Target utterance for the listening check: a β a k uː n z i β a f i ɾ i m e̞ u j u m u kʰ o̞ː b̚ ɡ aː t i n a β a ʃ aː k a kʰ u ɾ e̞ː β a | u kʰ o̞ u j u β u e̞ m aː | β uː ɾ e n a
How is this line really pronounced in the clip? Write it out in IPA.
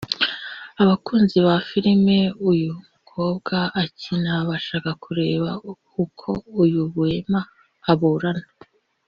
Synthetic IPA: a β a k uː n z i β a f i ɾ i m e̞ u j u m u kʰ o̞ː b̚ ɡ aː c i n a β a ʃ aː k a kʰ u ɾ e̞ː β a | u kʰ o̞ u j u β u e̞ m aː | β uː ɾ a n a